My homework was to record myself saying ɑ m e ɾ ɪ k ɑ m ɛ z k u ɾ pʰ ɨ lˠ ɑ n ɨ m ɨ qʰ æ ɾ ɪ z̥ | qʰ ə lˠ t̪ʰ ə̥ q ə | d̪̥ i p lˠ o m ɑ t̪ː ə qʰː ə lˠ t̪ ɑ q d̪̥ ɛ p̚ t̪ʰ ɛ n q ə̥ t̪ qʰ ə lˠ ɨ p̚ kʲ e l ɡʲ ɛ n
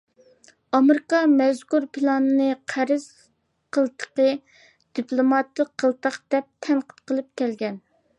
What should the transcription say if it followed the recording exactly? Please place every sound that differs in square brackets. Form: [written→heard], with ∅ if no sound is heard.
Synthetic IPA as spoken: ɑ m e ɾ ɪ k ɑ m ɛ z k u ɾ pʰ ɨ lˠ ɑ n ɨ [m→n] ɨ qʰ æ ɾ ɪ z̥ | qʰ ə lˠ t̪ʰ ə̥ q ə | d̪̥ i p lˠ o m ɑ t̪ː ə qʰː ə lˠ t̪ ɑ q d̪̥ ɛ p̚ t̪ʰ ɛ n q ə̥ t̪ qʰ ə lˠ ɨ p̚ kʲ [e→ɛ] l ɡʲ ɛ n